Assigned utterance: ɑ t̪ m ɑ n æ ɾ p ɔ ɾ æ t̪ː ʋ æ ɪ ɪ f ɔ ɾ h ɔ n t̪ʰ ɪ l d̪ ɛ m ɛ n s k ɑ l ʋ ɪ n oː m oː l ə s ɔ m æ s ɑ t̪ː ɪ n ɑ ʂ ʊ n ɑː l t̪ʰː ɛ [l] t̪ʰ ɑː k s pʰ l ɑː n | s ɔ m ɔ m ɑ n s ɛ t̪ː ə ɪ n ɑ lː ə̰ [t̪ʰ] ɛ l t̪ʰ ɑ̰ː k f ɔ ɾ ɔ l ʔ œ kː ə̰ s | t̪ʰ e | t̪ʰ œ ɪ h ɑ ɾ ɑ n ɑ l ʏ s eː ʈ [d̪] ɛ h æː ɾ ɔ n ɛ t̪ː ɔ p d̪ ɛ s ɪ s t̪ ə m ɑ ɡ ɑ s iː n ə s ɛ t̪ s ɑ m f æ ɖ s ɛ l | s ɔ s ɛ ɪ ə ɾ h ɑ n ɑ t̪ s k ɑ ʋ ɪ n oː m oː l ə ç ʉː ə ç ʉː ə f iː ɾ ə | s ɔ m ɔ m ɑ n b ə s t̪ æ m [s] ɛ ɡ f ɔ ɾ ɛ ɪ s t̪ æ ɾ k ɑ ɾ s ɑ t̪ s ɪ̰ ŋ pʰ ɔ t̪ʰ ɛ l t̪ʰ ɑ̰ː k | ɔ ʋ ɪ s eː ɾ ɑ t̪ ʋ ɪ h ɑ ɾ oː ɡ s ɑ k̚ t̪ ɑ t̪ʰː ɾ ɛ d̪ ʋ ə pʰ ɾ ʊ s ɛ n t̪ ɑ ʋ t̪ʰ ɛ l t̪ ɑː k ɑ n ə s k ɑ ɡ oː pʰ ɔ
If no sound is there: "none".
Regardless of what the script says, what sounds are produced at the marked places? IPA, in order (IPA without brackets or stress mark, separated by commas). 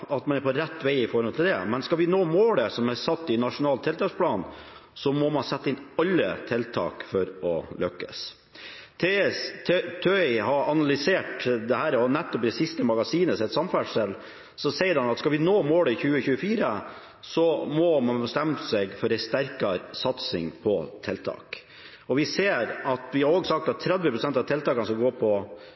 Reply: l, t̪ʰ, d̪, s